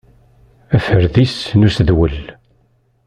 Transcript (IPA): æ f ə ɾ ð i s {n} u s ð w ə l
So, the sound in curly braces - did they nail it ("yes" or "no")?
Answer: yes